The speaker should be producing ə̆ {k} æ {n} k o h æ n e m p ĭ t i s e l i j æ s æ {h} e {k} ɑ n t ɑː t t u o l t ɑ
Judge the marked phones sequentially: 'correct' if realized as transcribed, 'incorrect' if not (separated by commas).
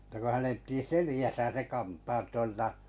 incorrect, incorrect, incorrect, correct